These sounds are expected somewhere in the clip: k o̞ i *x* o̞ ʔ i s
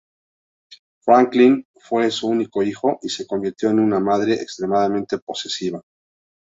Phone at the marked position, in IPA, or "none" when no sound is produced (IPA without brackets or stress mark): x